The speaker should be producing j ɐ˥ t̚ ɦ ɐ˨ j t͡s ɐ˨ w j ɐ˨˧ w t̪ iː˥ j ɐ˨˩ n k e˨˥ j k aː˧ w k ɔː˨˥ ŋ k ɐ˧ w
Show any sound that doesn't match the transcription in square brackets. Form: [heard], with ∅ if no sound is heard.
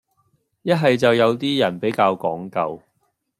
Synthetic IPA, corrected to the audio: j ɐ˥ t̚ ɦ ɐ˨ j t͡s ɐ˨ w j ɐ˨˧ w t̪ iː˥ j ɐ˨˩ n [p] e˨˥ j k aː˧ w k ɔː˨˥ ŋ k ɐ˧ w

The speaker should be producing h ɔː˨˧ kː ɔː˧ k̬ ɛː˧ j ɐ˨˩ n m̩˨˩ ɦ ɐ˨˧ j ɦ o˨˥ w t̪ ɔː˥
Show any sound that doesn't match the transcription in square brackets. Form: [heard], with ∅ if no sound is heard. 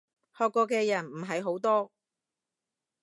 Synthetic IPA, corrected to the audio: h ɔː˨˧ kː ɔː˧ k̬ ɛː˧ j ɐ˨˩ n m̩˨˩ ɦ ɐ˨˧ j ɦ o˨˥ w t̪ ɔː˥

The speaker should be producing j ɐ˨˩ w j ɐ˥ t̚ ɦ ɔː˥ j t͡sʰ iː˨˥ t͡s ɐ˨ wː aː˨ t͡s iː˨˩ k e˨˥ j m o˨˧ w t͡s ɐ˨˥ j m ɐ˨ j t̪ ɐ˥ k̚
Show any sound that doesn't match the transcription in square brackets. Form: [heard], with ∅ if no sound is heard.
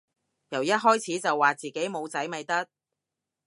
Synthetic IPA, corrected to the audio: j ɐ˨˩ w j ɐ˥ t̚ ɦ ɔː˥ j t͡sʰ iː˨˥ t͡s ɐ˨ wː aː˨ t͡s iː˨˩ k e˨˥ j m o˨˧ w t͡s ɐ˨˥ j m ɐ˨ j t̪ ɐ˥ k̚

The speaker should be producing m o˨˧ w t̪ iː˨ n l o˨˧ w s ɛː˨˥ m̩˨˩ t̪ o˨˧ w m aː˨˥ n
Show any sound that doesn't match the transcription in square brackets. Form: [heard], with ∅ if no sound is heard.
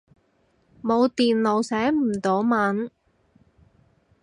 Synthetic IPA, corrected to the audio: m o˨˧ w t̪ iː˨ n l o˨˧ w s ɛː˨˥ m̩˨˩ t̪ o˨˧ w m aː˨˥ n

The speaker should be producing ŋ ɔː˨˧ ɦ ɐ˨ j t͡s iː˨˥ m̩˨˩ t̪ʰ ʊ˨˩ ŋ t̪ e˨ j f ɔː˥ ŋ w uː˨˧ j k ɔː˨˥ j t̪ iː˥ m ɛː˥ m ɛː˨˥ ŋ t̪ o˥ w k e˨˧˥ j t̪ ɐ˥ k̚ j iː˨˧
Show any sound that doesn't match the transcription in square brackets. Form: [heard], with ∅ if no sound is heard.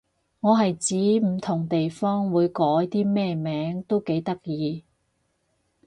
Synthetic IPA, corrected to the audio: ŋ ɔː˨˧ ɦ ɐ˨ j t͡s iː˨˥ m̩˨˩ t̪ʰ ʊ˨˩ ŋ t̪ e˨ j f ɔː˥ ŋ w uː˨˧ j k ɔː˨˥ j t̪ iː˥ m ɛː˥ m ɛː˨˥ ŋ t̪ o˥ w k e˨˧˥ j t̪ ɐ˥ k̚ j iː˨˧

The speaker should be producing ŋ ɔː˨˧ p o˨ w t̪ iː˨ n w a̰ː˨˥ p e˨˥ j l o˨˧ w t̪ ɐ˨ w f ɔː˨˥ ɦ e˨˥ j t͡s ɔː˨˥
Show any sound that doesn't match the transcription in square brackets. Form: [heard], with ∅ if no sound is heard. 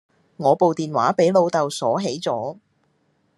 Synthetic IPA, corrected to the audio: ŋ ɔː˨˧ p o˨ w t̪ iː˨ n w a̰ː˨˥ p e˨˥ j l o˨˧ w t̪ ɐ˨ w [s] ɔː˨˥ ɦ e˨˥ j t͡s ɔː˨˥

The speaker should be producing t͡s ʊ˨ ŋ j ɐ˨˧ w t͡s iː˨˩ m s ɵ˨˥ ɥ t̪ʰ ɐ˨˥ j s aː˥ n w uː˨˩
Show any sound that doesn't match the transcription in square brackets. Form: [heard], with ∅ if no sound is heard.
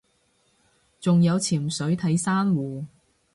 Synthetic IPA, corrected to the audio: t͡s ʊ˨ ŋ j ɐ˨˧ w [t͡sʰ] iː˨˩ m s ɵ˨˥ ɥ t̪ʰ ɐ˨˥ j s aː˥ n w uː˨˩

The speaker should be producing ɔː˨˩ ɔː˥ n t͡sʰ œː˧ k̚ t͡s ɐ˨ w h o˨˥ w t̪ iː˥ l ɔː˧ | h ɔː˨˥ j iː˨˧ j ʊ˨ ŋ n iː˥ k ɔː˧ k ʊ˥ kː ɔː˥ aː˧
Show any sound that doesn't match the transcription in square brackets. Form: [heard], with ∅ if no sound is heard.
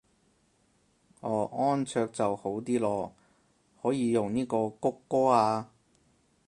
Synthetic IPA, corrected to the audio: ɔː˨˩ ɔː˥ n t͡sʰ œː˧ k̚ t͡s ɐ˨ w h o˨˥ w t̪ iː˥ l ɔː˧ | h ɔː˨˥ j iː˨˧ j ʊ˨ ŋ n iː˥ k ɔː˧ k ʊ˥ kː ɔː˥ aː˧

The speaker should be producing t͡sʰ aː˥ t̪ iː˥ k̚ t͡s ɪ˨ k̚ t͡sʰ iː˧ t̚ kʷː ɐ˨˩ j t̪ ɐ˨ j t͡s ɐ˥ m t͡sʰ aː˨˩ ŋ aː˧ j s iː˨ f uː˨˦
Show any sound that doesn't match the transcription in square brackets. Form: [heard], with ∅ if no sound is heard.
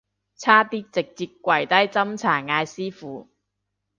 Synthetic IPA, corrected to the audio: t͡sʰ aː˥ t̪ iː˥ k̚ t͡s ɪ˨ k̚ [t͡s] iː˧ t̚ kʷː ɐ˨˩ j t̪ [ɐ˥] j t͡s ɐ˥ m t͡sʰ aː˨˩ ŋ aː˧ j s [iː˥] f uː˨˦

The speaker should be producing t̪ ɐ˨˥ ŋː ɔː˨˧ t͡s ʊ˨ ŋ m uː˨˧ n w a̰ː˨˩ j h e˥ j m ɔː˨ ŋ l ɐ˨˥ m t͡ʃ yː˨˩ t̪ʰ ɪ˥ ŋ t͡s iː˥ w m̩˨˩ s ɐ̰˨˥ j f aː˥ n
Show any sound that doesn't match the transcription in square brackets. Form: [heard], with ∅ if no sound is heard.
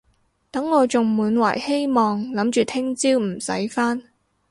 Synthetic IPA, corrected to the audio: t̪ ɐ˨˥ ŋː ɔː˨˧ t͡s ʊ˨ ŋ m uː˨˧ n w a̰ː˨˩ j h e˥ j m ɔː˨ ŋ l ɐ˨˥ m t͡ʃ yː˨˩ t̪ʰ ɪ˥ ŋ t͡s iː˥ w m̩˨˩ s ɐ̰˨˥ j f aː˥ n

